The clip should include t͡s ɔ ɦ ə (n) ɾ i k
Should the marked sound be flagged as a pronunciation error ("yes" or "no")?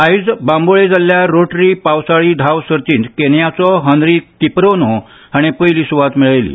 no